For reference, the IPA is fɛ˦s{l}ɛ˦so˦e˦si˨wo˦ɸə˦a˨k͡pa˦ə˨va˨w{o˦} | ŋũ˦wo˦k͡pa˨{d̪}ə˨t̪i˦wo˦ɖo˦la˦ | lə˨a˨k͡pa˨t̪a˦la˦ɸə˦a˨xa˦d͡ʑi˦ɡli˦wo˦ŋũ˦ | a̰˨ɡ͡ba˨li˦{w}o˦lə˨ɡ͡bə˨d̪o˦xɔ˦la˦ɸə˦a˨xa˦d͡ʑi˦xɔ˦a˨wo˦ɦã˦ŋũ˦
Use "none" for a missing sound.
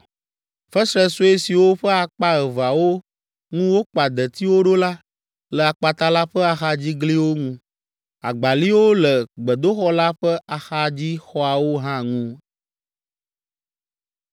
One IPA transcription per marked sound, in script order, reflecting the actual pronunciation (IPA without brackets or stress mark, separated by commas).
ɾ, o˦, d̪, w